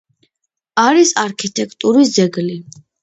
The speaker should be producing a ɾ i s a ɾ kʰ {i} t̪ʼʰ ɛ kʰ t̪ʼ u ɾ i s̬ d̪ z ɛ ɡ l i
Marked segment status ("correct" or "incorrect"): correct